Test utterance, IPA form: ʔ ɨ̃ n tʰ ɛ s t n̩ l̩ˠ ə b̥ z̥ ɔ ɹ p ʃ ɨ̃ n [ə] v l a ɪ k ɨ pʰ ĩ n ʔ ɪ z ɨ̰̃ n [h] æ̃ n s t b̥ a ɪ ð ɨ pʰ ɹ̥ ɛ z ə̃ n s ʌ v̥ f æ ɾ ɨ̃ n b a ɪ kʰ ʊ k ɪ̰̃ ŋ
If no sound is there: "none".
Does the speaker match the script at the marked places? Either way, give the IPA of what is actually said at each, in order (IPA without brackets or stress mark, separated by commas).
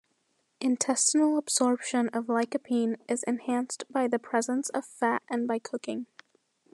ʌ, h